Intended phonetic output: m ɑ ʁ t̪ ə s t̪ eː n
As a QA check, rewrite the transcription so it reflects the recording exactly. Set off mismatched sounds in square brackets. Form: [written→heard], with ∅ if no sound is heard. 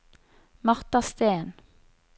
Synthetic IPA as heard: m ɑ ʁ t̪ [ə→ɑ] s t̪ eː n